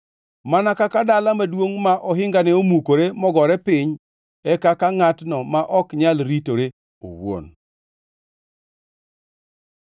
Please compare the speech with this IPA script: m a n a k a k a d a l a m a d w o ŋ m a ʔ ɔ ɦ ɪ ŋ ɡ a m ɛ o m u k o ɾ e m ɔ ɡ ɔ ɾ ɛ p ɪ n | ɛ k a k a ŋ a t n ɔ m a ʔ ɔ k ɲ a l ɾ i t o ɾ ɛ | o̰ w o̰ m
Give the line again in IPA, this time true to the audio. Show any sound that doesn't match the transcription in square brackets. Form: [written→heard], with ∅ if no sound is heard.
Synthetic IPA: m a n a k a k a d a l a m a d w o ŋ m a ʔ ɔ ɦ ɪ ŋ ɡ a [m→n] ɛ o m u k o ɾ e m ɔ ɡ ɔ ɾ ɛ p ɪ [n→ɲ] | ɛ k a k a ŋ a t n ɔ m a ʔ ɔ k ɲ a l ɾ i t o ɾ [ɛ→e] | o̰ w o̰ [m→n]